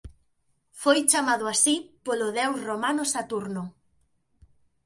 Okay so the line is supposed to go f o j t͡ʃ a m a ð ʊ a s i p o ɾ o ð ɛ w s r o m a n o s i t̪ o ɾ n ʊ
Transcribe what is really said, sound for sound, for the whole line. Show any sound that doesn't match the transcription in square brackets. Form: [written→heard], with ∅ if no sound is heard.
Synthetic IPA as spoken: f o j t͡ʃ a m a ð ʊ a s i p o [ɾ→l] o ð ɛ w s r o m a n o s [i→a] t̪ [o→u] ɾ n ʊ